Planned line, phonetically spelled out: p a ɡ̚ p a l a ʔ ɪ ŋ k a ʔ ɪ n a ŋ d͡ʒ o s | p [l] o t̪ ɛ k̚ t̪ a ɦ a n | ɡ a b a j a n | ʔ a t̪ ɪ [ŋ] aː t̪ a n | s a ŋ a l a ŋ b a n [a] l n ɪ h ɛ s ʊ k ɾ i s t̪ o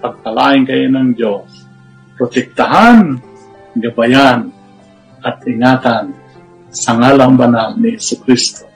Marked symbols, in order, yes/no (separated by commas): no, yes, yes